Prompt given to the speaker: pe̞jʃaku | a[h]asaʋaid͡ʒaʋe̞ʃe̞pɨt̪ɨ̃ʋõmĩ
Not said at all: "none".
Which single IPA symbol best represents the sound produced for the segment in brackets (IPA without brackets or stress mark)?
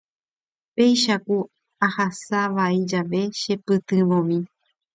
h